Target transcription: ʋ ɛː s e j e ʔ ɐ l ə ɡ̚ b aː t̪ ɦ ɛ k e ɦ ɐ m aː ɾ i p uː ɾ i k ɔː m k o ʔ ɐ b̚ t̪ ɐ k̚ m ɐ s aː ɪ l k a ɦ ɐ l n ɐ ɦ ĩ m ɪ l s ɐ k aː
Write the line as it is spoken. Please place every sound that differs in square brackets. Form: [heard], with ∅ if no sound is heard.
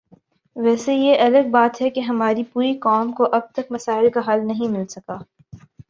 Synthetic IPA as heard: ʋ ɛː s e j e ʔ ɐ l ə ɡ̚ b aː t̪ ɦ ɛ k e ɦ ɐ m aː ɾ i p uː ɾ i k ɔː m k o ʔ ɐ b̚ t̪ ɐ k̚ m ɐ s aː ɪ l k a ɦ ɐ l n ɐ ɦ ĩ m ɪ l s ɐ k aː